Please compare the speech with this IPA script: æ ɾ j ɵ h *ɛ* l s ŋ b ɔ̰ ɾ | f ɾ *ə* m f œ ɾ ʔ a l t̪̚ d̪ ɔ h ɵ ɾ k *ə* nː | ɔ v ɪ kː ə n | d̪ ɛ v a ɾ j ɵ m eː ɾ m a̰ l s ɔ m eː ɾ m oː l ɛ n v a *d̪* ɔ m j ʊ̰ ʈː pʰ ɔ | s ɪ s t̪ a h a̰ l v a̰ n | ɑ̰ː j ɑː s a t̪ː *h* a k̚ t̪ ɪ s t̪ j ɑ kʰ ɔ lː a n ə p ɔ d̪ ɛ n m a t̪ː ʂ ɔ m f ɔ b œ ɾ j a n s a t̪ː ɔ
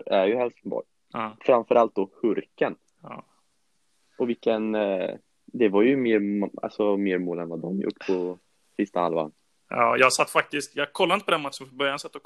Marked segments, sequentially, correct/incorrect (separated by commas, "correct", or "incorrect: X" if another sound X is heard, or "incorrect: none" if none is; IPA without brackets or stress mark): correct, incorrect: a, correct, correct, incorrect: f